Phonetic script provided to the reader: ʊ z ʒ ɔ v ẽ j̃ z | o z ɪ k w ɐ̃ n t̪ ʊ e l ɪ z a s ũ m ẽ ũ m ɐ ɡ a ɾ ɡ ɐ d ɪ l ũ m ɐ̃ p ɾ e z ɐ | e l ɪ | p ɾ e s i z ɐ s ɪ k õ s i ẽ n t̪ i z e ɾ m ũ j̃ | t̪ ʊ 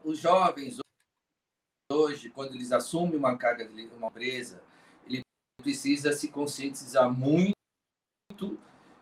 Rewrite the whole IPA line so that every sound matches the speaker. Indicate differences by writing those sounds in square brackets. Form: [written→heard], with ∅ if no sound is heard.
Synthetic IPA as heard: ʊ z ʒ ɔ v ẽ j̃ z | o [z→ʒ] ɪ k w ɐ̃ n [t̪→d̪] ʊ e l ɪ z a s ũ m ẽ ũ m ɐ [ɡ→k] a ɾ ɡ ɐ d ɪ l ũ m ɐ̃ p ɾ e z ɐ | e l ɪ | p ɾ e s i z ɐ s ɪ k õ s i ẽ n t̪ i z [e→a] ɾ m ũ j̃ | t̪ ʊ